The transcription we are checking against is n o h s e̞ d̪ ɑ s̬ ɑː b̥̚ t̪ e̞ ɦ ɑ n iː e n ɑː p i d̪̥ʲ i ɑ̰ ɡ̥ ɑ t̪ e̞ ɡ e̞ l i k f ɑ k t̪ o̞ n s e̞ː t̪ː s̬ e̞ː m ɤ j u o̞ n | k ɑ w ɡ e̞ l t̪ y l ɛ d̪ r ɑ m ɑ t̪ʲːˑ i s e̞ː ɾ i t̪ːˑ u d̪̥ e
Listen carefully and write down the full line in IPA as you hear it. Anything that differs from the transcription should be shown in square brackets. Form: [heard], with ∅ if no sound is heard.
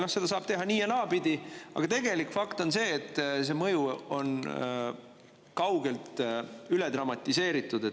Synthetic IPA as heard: n o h s e̞ d̪ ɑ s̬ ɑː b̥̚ t̪ e̞ ɦ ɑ n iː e n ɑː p i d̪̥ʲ i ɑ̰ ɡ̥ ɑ t̪ e̞ ɡ e̞ l i k f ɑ k t̪ o̞ n s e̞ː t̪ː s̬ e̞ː m ɤ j u o̞ n | k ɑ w ɡ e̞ l t̪ y l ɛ d̪ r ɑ m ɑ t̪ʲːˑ i s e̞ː ɾ i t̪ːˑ u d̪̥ e